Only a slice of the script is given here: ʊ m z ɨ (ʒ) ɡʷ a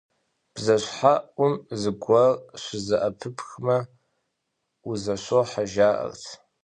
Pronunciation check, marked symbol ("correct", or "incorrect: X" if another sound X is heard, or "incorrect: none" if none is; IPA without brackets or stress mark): incorrect: none